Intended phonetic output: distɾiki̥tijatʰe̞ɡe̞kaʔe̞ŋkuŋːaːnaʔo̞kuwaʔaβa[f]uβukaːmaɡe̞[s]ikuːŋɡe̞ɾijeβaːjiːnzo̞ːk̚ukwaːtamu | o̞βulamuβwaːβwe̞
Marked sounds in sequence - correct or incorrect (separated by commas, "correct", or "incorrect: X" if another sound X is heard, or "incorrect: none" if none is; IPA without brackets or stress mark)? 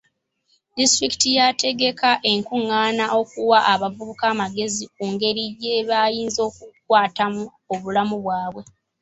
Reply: incorrect: v, incorrect: z